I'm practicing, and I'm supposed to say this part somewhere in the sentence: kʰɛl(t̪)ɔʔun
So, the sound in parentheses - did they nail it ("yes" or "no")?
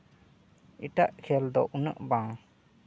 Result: no